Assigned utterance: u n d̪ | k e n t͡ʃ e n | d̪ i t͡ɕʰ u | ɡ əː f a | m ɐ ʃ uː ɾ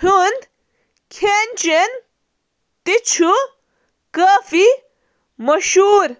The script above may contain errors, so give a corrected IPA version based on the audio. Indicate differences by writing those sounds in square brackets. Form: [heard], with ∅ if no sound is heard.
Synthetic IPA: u n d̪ | [kʰ] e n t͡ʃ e n | [t̪] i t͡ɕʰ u | [k] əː f [i] | m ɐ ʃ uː ɾ